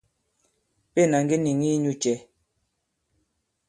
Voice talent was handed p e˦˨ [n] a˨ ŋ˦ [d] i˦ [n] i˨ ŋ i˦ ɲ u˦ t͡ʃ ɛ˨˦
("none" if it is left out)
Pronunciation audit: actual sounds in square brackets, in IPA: n, ɡ, n

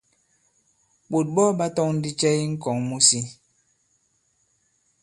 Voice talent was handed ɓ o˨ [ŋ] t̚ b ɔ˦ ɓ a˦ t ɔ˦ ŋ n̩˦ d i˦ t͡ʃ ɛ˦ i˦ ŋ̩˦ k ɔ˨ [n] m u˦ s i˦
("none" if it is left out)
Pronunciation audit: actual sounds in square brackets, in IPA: none, ŋ

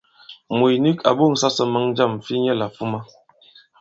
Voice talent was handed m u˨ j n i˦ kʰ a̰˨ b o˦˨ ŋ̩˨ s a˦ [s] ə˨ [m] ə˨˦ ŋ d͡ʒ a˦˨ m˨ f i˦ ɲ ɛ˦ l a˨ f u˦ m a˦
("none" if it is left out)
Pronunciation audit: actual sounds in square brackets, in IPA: s, m

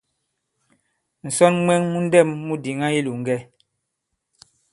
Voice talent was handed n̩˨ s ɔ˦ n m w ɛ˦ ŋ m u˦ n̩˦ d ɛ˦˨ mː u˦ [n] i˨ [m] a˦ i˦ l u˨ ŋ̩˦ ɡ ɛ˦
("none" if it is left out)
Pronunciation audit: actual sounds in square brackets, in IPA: d, ŋ

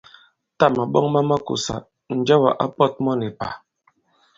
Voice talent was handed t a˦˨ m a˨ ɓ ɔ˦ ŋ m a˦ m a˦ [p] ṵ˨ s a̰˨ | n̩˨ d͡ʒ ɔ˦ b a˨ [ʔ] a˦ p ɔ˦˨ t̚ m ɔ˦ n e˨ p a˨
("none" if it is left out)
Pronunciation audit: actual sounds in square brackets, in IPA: k, ʔ

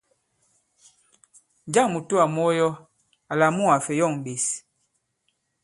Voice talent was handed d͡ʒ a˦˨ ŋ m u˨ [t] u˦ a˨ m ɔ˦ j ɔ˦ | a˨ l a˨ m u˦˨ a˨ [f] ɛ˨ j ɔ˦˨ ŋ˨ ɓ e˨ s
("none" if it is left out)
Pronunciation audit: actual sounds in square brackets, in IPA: t, f

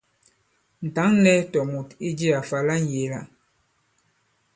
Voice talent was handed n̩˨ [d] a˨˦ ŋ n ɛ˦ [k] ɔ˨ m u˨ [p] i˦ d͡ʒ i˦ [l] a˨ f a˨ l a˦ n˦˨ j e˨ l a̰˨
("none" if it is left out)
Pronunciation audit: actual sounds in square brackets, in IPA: t, t, t, none

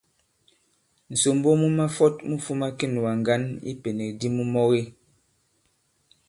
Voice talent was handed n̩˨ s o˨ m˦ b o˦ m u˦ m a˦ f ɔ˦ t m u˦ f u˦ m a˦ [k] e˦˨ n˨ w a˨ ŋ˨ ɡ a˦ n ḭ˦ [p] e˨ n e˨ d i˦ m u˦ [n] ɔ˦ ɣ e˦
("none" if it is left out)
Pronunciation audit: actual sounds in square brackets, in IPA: k, p, m

